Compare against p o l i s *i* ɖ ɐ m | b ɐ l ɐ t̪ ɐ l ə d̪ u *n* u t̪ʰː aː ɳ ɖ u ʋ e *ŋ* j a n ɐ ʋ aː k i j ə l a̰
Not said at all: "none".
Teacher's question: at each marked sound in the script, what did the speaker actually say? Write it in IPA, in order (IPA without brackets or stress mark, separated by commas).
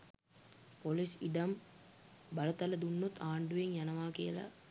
i, nː, ŋ